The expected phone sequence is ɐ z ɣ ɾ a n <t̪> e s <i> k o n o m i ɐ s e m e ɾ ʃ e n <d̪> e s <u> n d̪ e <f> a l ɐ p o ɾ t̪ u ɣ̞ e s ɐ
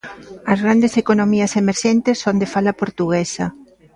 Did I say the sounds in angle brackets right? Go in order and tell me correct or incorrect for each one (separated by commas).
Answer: incorrect, incorrect, incorrect, incorrect, correct